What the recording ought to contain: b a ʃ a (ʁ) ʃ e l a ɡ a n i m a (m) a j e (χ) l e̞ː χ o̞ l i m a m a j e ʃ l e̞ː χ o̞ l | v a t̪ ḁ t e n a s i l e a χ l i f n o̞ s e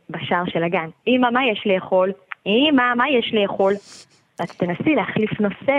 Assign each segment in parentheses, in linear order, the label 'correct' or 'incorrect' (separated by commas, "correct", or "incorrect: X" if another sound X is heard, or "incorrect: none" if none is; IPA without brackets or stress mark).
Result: correct, correct, incorrect: ʃ